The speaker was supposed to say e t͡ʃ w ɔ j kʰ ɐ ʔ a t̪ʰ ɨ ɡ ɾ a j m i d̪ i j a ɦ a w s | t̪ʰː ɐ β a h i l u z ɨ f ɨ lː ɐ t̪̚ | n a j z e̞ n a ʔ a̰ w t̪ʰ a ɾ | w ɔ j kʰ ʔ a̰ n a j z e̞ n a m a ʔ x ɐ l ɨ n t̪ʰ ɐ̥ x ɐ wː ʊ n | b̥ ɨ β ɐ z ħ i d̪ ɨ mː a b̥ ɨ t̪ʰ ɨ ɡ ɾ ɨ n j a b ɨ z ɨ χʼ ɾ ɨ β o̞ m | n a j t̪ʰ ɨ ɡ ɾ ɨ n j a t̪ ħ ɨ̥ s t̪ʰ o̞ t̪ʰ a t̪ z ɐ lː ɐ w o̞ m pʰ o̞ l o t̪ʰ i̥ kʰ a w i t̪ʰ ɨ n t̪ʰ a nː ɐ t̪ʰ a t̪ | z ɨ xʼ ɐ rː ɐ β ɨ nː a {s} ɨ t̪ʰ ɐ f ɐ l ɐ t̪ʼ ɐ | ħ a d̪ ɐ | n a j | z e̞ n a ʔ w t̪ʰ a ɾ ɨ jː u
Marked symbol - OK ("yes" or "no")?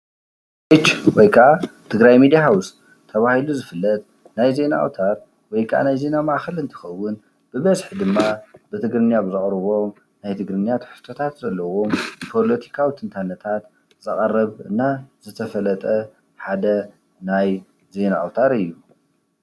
no